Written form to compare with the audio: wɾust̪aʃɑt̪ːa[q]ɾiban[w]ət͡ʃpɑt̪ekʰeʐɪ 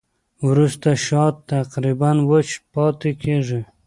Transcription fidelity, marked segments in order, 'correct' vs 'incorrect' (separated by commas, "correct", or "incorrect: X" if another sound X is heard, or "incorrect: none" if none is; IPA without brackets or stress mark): correct, correct